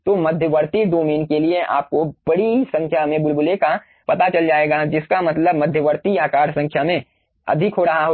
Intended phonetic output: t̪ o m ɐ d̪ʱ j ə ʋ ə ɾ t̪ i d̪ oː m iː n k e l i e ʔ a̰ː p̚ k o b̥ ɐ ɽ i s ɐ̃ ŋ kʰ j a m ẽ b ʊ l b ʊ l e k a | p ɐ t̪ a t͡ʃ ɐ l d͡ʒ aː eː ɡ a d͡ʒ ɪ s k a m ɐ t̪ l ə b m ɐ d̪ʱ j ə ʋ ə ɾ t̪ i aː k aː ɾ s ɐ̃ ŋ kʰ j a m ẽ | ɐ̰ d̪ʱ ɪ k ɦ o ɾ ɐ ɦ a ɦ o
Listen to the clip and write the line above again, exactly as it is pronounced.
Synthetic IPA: t̪ o m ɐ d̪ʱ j ə ʋ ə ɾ t̪ i d̪ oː m iː n k e l i e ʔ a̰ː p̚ k o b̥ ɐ ɽ i s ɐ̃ ŋ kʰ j a m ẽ b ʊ l b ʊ l e k a | p ɐ t̪ a t͡ʃ ɐ l d͡ʒ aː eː ɡ a d͡ʒ ɪ s k a m ɐ t̪ l ə b m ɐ d̪ʱ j ə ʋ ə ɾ t̪ i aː k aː ɾ s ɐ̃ ŋ kʰ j a m ẽ | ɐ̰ d̪ʱ ɪ k ɦ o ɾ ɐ ɦ a ɦ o